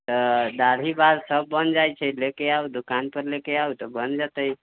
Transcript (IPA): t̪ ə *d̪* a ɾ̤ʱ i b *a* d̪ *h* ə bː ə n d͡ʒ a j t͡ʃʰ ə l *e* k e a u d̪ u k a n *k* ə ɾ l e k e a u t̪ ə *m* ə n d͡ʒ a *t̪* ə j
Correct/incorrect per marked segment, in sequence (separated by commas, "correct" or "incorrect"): correct, correct, incorrect, correct, incorrect, incorrect, correct